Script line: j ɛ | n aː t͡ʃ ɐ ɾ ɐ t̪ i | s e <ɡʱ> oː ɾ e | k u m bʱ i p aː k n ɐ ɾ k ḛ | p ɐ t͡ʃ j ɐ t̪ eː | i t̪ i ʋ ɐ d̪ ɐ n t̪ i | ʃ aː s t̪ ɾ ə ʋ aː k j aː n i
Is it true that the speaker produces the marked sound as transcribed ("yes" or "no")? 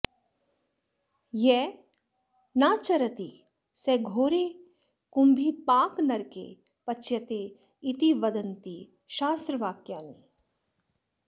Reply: yes